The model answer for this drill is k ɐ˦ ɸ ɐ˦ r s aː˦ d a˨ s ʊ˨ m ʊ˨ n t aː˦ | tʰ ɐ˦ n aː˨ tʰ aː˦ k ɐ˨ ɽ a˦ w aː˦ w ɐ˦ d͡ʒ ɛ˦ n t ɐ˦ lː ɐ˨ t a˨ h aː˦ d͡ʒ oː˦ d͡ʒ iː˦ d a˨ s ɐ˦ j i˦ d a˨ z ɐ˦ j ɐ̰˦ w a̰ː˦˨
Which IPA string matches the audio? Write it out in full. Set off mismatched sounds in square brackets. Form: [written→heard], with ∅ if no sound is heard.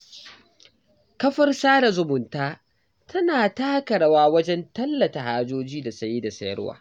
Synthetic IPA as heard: k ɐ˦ ɸ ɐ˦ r s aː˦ d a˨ [s→z] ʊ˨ m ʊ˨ n t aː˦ | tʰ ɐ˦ n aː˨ [tʰ→t] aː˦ k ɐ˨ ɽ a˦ w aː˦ w ɐ˦ d͡ʒ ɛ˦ n t ɐ˦ lː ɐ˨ t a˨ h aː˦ d͡ʒ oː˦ d͡ʒ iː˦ d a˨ s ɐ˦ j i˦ d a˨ [z→s] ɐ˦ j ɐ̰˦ w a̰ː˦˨